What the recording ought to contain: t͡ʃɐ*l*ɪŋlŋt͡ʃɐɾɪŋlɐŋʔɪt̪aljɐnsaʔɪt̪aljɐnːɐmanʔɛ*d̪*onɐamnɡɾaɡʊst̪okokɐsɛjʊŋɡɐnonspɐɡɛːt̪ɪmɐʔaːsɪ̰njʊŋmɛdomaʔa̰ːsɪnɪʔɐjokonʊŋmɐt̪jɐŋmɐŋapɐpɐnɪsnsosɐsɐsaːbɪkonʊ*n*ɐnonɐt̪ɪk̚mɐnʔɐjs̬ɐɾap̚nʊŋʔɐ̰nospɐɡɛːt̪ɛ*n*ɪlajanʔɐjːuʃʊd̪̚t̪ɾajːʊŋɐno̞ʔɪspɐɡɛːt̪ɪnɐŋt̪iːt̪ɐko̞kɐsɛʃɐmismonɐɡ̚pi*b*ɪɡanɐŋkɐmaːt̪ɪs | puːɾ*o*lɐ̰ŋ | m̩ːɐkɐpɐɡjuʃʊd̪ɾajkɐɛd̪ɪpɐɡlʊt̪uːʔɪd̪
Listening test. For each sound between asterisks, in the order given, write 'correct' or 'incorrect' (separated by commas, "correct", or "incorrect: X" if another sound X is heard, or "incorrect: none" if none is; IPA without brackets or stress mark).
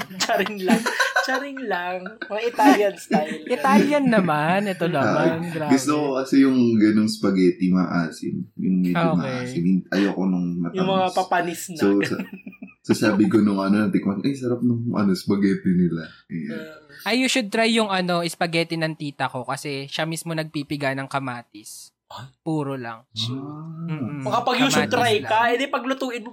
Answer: incorrect: ɾ, incorrect: t̪, incorrect: ŋ, correct, incorrect: p, correct